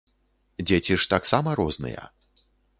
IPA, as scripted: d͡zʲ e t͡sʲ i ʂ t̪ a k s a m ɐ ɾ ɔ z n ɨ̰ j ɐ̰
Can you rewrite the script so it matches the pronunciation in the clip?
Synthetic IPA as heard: d͡zʲ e t͡sʲ i ʂ t̪ a k s a m ɐ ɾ ɔ z n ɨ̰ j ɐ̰

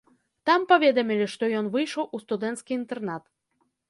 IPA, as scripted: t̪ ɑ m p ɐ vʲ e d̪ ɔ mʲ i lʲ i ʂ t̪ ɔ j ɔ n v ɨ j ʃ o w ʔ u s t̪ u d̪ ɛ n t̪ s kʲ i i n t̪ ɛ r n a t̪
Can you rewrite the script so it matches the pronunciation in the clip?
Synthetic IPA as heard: t̪ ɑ m p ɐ vʲ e d̪ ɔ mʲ i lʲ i ʂ t̪ ɔ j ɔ n v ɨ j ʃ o w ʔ u s t̪ u d̪ ɛ n t̪ s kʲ i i n t̪ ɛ r n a t̪

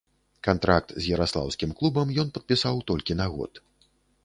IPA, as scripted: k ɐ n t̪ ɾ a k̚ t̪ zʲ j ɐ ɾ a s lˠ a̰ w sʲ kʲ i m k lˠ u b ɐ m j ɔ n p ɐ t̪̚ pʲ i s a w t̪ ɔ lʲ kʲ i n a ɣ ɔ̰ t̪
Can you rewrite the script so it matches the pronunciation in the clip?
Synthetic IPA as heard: k a n t̪ ɾ a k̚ t̪ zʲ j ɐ ɾ a s lˠ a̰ w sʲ kʲ i m k lˠ u b ɐ m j ɔ n p ɐ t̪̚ pʲ i s a w t̪ ɔ lʲ kʲ i n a ɣ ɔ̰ t̪

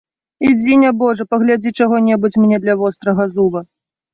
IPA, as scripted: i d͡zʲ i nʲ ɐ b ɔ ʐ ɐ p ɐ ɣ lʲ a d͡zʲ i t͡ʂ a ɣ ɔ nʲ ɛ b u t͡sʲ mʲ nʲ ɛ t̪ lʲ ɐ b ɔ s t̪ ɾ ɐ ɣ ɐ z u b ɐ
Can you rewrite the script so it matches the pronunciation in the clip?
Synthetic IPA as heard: i d͡zʲ i nʲ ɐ b ɔ ʐ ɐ p ɐ ɣ lʲ a d͡zʲ i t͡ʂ a ɣ ɔ nʲ ɛ b u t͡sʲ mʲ nʲ ɛ d̪ lʲ ɐ v ɔ s t̪ ɾ ɐ ɣ ɐ z u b ɐ

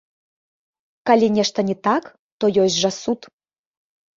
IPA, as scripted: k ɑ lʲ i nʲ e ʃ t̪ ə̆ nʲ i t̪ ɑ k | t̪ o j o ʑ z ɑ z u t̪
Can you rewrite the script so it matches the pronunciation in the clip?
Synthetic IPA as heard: k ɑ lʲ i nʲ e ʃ t̪ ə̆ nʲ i t̪ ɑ k | t̪ o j o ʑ ʒ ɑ s u t̪

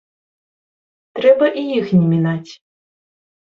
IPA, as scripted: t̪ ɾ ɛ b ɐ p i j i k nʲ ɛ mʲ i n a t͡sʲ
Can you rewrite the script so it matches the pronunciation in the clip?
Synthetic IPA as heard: t̪ ɾ ɛ b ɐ ʔ i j i x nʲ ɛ mʲ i n a t͡sʲ

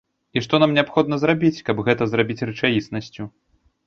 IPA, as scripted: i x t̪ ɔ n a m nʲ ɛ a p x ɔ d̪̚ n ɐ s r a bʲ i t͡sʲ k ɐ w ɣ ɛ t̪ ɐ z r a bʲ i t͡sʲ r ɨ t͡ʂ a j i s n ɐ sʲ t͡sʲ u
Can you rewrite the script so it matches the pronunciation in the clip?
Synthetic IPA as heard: i ʂ t̪ ɔ n a m nʲ ɛ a p x ɔ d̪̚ n ɐ z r a bʲ i t͡sʲ k ɐ b ɣ ɛ t̪ ɐ z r a bʲ i t͡sʲ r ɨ t͡ʂ a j i s n ɐ sʲ t͡sʲ u

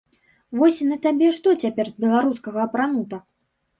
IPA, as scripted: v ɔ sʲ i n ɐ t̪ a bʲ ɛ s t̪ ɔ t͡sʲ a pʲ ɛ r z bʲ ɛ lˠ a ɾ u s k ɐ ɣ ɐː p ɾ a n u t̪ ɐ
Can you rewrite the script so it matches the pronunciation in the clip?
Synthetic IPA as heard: v ɔ sʲ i n ɐ t̪ a bʲ ɛ ʂ t̪ ɔ t͡sʲ a pʲ ɛ r z bʲ ɛ lˠ a ɾ u s k ɐ ɣ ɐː p ɾ a n u t̪ ɐ

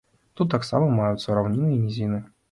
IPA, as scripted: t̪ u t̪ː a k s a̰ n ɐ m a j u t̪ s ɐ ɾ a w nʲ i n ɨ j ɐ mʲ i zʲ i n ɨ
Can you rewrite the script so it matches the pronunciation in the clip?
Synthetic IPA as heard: t̪ u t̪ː a k s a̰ m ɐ m a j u t̪ s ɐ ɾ a w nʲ i n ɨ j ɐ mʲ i zʲ i n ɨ

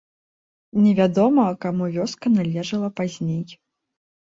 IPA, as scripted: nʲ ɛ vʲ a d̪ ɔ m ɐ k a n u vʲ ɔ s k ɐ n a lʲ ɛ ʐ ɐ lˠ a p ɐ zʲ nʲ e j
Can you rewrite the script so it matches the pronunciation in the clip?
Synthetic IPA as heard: nʲ ɛ vʲ a d̪ ɔ m ɐ k a m u vʲ ɔ s k ɐ n a lʲ ɛ ʐ ɐ lˠ ɐ p a zʲ nʲ e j

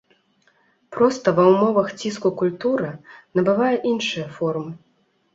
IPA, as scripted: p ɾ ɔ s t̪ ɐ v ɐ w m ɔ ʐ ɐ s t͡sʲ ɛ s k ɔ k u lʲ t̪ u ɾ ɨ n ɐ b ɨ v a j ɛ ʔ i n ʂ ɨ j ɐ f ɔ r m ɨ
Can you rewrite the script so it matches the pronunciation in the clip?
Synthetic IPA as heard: p ɾ ɔ s t̪ ɐ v ɐ w m ɔ v ɐ x t͡sʲ i s k u k u lʲ t̪ u ɾ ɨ n ɐ b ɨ v a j ɛ ʔ i n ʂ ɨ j ɐ f ɔ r m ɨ

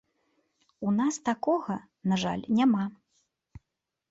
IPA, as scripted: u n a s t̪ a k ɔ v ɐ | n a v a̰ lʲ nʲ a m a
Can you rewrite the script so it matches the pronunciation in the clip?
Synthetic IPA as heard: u n a s t̪ a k ɔ ɣ ɐ | n a ʐ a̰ lʲ nʲ a m a

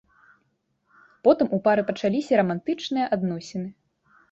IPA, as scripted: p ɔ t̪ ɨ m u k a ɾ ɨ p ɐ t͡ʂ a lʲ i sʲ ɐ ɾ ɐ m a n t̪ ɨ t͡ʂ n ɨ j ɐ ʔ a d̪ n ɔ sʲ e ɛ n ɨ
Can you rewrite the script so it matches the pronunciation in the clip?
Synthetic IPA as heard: p ɔ t̪ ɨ m u p a ɾ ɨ p ɐ t͡ʂ a lʲ i sʲ ɐ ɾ ɐ m a n t̪ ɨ t͡ʂ n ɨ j ɐ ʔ a d̪ n ɔ sʲ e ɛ n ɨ

